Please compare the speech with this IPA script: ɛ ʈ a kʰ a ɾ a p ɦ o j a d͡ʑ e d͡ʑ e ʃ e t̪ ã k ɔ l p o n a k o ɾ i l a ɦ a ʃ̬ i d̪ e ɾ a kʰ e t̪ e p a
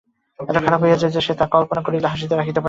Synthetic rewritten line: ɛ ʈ a kʰ a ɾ a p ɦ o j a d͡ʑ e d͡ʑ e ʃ e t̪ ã k ɔ l p o n a k o ɾ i l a ɦ a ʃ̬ i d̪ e ɾ a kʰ i t̪ e p a